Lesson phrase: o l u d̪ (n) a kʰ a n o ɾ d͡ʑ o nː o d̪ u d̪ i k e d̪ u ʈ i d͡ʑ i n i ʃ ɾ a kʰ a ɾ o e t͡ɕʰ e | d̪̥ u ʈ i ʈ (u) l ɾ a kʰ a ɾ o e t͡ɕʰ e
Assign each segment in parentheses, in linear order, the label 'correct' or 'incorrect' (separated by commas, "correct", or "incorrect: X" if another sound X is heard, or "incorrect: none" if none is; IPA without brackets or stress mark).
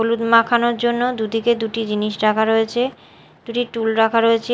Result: incorrect: m, correct